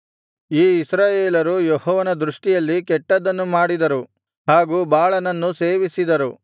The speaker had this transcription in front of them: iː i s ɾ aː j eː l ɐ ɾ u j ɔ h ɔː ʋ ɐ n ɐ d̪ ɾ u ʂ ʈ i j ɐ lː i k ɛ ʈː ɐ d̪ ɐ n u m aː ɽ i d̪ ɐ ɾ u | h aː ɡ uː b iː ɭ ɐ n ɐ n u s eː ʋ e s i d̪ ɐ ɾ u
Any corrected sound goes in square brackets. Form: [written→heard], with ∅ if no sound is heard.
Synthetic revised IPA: iː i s ɾ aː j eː l ɐ ɾ u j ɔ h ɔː ʋ ɐ n ɐ d̪ ɾ u ʂ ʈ i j ɐ lː i k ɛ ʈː ɐ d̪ ɐ [n→nː] u m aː ɽ i d̪ ɐ ɾ u | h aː ɡ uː b [iː→aː] ɭ ɐ n ɐ [n→nː] u s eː ʋ [e→i] s i d̪ ɐ ɾ u